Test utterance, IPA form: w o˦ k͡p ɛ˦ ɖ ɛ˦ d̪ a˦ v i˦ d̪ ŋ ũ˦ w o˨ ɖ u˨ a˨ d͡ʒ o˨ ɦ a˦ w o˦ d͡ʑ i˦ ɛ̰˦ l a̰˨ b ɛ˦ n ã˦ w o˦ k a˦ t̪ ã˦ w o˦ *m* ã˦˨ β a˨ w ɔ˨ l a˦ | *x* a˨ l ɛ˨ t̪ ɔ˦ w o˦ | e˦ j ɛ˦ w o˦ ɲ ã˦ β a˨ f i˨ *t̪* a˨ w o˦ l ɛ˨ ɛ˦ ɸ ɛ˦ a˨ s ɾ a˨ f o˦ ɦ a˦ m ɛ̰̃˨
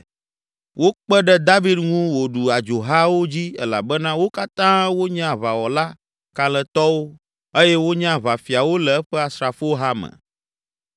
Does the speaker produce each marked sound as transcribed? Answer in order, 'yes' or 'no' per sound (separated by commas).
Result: no, no, no